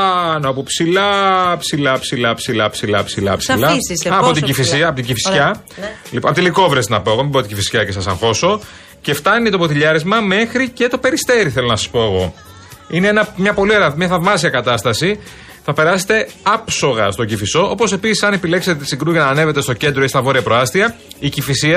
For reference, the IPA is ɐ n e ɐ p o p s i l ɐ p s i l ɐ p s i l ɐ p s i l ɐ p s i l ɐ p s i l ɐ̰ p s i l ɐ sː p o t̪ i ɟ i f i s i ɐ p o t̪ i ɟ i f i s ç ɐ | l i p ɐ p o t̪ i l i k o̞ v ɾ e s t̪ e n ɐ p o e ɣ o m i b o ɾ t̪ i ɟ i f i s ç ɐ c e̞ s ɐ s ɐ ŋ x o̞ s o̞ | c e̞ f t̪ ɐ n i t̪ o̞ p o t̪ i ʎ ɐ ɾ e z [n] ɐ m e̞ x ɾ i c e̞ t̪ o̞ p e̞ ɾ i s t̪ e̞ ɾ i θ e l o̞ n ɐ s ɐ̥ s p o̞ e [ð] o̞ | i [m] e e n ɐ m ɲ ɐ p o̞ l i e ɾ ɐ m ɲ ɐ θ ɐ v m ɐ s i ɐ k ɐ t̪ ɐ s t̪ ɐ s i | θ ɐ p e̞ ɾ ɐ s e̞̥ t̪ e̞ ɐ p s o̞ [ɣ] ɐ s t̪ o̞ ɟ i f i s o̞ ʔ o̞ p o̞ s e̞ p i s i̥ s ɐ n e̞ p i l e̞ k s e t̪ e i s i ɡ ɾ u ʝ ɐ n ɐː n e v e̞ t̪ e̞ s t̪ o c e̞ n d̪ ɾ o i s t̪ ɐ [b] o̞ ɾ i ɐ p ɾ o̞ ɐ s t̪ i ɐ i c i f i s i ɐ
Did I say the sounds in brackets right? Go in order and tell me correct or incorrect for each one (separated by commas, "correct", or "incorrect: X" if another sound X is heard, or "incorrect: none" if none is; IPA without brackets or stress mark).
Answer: incorrect: m, incorrect: ɣ, incorrect: n, correct, incorrect: v